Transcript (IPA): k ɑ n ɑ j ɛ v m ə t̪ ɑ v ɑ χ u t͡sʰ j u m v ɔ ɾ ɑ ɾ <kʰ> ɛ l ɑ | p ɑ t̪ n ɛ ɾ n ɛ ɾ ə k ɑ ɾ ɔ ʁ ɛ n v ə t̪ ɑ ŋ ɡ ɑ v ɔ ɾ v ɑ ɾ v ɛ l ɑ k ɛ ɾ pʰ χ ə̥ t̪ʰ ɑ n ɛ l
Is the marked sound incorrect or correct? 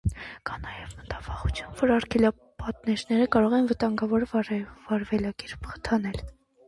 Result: correct